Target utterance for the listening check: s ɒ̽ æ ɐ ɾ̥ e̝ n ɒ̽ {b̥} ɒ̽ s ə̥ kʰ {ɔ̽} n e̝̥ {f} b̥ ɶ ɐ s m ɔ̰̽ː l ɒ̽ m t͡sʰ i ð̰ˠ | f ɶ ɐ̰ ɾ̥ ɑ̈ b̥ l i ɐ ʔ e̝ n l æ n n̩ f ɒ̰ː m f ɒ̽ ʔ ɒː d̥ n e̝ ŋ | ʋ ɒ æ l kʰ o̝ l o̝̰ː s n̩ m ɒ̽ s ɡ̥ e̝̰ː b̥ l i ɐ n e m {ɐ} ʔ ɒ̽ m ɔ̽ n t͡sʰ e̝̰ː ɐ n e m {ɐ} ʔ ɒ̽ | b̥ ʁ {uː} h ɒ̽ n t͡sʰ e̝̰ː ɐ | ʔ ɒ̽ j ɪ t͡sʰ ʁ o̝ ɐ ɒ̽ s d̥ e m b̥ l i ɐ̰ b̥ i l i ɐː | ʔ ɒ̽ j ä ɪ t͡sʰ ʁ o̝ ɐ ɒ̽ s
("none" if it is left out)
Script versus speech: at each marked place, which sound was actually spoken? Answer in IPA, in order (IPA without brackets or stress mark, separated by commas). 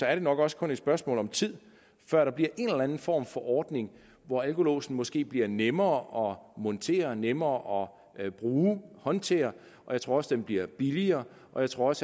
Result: ɡ̥, ɔ̽, s, ɐː, ɐː, uː